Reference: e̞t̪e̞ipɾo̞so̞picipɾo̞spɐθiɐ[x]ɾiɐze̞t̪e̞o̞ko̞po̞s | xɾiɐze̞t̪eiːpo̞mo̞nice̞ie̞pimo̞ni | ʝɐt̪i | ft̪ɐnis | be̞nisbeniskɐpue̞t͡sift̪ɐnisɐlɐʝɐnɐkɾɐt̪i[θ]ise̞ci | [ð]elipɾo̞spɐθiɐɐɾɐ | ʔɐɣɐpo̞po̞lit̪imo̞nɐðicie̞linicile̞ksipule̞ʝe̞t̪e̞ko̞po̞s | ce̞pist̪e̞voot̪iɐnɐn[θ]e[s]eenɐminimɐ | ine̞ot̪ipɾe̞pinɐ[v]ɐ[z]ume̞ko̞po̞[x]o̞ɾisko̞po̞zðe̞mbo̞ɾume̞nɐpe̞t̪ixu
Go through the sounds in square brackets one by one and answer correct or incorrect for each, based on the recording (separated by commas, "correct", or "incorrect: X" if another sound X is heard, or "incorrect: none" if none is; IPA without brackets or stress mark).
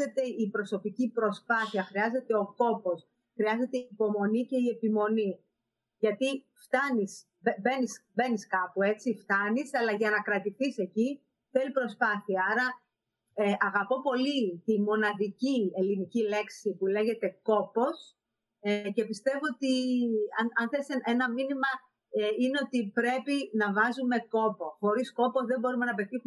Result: correct, correct, incorrect: θ, correct, correct, correct, correct, correct